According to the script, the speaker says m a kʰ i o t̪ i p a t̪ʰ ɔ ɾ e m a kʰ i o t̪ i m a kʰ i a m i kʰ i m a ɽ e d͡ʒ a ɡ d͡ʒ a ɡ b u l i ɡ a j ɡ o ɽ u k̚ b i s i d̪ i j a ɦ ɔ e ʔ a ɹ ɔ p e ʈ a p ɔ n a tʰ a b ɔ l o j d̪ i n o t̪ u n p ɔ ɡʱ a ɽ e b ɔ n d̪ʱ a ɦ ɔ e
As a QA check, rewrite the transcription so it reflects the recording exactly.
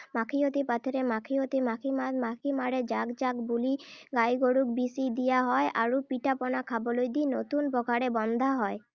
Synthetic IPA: m a kʰ i o t̪ i p a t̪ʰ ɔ ɾ e m a kʰ i o t̪ i m a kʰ i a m a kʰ i m a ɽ e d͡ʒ a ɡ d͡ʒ a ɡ b u l i ɡ a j ɡ o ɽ u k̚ b i s i d̪ i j a ɦ ɔ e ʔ a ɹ u p i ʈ a p ɔ n a kʰ a b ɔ l o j d̪ i n o t̪ u n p ɔ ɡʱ a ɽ e b ɔ n d̪ʱ a ɦ ɔ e